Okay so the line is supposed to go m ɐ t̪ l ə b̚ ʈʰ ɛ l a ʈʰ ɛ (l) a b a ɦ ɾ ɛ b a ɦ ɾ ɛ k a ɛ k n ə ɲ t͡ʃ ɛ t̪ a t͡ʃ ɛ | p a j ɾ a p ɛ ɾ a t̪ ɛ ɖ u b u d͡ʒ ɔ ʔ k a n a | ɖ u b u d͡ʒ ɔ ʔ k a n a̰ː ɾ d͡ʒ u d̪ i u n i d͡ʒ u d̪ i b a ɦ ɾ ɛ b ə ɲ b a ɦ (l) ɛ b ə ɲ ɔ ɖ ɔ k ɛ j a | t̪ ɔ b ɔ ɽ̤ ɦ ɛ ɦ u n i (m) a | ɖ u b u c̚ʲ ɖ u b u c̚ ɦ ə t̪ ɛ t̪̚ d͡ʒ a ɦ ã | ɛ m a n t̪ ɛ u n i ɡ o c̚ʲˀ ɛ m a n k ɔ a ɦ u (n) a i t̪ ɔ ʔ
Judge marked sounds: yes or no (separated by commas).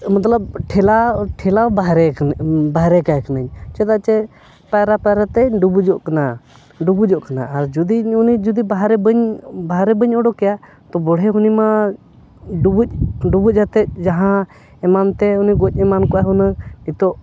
yes, no, yes, yes